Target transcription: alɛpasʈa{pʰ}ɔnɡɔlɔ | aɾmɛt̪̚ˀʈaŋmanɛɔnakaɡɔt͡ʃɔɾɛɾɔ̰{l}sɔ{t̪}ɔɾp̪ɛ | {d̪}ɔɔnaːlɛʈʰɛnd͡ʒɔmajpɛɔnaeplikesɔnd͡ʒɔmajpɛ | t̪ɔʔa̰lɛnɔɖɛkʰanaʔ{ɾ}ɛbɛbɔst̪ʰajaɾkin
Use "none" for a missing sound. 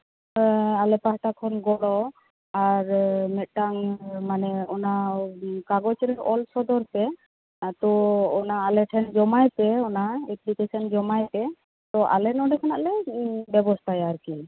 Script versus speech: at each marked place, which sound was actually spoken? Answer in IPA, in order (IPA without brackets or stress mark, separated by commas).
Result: kʰ, l, d̪, t̪, l